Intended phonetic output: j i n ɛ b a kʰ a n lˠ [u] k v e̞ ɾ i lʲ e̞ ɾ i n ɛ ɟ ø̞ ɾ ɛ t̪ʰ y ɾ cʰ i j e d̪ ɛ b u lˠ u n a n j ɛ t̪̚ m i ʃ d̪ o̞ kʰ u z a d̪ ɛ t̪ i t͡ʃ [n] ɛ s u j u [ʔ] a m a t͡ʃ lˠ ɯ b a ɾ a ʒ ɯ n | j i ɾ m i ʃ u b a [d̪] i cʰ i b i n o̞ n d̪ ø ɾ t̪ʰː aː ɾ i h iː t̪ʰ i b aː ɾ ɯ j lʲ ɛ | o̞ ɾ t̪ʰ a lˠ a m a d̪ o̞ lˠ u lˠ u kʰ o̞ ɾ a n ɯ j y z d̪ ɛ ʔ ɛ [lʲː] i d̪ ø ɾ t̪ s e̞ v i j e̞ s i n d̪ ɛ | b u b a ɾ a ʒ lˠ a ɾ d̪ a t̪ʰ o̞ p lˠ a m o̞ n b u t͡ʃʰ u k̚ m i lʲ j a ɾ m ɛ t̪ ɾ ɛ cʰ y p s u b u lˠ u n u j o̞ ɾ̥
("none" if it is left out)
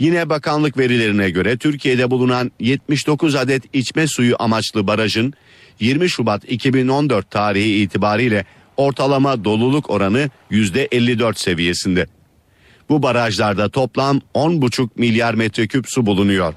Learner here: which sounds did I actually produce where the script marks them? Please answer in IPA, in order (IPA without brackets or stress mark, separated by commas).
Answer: ɯ, m, ʔ, t̪, lʲː